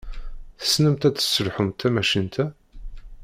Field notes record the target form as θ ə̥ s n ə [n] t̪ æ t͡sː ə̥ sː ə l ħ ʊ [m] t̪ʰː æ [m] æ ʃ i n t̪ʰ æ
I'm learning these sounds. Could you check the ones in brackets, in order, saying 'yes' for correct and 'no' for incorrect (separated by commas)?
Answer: no, yes, yes